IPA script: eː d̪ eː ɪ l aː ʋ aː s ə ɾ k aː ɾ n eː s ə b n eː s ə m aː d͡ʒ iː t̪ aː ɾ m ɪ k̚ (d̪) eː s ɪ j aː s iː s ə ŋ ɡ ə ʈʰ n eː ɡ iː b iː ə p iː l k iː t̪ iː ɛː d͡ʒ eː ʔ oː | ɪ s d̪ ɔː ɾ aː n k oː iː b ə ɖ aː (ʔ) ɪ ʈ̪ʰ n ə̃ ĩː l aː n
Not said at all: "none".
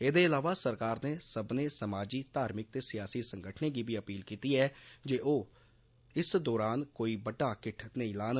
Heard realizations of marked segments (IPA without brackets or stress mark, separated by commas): t̪, k